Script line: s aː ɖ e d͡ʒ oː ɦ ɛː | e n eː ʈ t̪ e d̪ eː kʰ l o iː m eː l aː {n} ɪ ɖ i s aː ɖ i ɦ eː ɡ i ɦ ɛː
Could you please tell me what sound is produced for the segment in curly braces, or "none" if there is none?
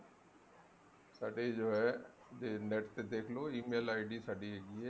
none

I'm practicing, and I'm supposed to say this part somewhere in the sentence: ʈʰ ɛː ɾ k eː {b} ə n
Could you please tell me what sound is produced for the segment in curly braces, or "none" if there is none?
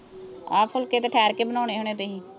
b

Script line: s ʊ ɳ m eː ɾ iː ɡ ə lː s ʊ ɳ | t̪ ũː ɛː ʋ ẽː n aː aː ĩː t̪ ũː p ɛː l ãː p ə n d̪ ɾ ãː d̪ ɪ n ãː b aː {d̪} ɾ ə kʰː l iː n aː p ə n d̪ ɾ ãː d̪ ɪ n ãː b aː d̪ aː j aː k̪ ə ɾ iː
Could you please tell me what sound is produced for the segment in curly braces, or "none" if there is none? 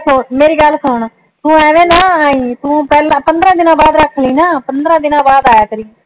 d̪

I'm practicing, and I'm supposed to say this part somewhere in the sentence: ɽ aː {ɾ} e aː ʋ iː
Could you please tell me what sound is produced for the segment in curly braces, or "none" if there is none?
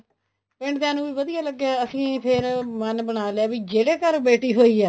l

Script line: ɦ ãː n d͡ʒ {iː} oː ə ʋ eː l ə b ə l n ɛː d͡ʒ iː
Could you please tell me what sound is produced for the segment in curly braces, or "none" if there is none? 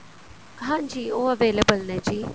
iː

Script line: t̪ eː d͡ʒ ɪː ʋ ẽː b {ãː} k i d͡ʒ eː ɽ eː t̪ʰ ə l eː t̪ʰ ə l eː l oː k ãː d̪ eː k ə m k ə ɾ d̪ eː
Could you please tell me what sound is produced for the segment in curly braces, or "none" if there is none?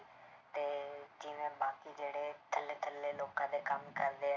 aː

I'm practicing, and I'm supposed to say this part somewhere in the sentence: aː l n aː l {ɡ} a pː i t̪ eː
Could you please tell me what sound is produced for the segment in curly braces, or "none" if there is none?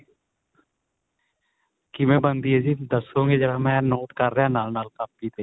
k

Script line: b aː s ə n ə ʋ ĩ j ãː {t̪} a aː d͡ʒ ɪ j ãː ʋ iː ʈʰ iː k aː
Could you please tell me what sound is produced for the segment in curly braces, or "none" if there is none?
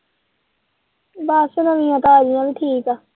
t̪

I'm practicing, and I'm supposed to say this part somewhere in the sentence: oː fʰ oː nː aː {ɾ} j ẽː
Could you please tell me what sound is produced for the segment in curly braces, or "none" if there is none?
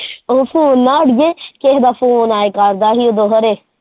ɽ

